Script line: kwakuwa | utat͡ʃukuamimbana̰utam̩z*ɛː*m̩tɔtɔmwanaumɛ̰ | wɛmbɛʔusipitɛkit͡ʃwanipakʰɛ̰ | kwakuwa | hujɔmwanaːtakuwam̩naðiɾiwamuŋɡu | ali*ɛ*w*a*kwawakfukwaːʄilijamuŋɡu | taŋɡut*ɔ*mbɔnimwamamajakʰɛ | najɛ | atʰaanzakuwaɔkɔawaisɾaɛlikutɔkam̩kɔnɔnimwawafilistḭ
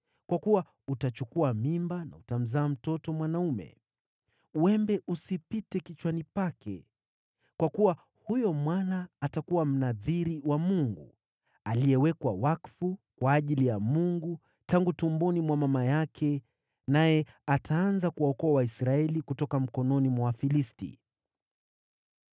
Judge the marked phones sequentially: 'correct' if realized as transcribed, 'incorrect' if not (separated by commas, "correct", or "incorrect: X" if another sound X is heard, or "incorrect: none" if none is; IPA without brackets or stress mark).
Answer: incorrect: aː, correct, incorrect: ɛ, incorrect: u